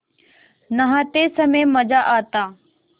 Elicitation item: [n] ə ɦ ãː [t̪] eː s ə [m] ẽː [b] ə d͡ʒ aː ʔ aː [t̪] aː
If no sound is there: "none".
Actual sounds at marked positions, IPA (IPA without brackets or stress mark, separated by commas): n, t̪, m, m, t̪